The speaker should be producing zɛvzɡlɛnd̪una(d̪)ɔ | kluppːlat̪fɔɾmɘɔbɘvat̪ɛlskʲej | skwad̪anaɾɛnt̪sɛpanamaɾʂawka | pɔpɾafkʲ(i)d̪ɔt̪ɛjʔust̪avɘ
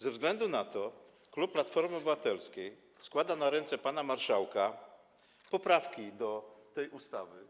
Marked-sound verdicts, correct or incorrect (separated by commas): incorrect, correct